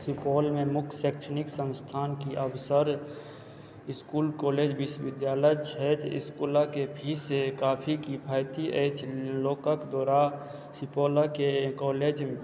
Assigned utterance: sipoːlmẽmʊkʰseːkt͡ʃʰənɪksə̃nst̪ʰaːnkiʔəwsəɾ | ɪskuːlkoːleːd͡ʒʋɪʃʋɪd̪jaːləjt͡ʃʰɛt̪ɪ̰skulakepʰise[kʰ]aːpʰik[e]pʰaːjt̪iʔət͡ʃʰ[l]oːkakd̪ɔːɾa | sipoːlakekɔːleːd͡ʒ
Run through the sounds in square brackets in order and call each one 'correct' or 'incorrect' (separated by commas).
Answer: incorrect, incorrect, correct